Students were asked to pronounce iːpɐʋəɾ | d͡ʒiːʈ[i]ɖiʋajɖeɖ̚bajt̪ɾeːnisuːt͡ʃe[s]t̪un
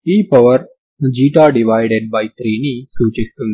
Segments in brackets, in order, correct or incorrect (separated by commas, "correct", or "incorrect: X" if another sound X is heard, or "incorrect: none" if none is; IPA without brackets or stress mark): incorrect: a, correct